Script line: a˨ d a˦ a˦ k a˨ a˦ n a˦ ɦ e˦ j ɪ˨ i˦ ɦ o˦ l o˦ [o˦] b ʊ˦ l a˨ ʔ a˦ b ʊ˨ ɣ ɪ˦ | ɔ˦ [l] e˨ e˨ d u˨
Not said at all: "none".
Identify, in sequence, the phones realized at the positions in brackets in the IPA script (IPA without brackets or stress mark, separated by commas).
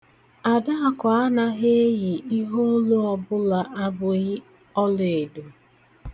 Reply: ɔ˦, l